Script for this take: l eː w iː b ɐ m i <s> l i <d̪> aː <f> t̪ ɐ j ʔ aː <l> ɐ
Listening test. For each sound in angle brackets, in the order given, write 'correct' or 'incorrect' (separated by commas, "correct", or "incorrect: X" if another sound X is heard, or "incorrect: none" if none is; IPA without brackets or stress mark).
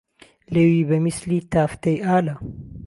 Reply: correct, incorrect: t̪, correct, correct